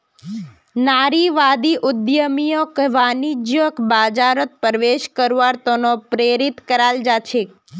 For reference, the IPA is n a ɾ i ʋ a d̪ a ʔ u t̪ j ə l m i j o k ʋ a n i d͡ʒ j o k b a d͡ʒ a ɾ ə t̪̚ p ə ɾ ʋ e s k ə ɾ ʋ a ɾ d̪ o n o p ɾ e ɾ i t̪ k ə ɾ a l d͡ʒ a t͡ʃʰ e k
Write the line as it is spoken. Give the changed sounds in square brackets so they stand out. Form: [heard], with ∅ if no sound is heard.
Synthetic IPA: n a ɾ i ʋ a d̪ [i] ʔ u [d̪] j ə [∅] m i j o k ʋ a n i d͡ʒ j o k b a d͡ʒ a ɾ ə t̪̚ p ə ɾ ʋ e [ʃ] k ə ɾ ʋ a ɾ [t̪] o n o p ɾ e ɾ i t̪ k ə ɾ a l d͡ʒ a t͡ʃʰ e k